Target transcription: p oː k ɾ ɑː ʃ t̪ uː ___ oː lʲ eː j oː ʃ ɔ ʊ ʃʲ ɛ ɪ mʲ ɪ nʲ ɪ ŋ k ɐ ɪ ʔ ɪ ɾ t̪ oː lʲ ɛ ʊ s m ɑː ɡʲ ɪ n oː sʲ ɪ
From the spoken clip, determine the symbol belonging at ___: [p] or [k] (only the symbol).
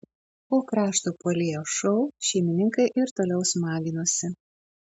p